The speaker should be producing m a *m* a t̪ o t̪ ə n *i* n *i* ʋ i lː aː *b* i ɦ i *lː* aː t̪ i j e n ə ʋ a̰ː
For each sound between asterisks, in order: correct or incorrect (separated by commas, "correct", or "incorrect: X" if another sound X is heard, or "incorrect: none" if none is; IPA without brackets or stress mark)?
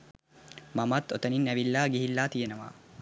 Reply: correct, correct, incorrect: æ, incorrect: ɡ, correct